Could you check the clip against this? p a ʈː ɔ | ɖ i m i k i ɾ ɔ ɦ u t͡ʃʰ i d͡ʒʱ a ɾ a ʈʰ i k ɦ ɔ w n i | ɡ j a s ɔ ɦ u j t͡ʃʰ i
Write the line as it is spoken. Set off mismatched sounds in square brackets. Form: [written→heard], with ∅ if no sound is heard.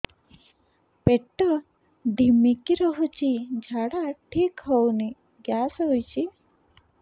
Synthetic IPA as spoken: p [a→e] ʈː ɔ | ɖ i m i k i ɾ ɔ ɦ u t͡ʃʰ i d͡ʒʱ a [ɾ→ɽ] a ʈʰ i k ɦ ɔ w n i | ɡ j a s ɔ ɦ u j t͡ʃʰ i